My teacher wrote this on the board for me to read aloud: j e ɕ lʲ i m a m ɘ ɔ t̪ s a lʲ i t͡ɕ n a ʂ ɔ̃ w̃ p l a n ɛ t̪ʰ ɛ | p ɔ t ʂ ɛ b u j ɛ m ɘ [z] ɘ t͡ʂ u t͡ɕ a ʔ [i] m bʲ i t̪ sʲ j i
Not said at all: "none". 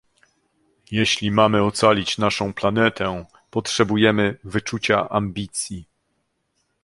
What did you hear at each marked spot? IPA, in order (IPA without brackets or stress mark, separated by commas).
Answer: v, a